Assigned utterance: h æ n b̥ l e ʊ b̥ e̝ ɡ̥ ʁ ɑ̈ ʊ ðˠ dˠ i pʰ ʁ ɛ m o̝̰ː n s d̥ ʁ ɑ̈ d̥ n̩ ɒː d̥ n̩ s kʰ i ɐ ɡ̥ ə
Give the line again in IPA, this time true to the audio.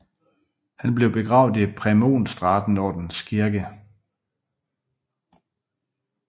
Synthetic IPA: h æ n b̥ l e ʊ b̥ e̝ ɡ̥ ʁ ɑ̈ ʊ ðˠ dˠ i pʰ ʁ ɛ m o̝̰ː n s d̥ ʁ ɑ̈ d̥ n̩ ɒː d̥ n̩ s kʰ i ɐ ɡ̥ ə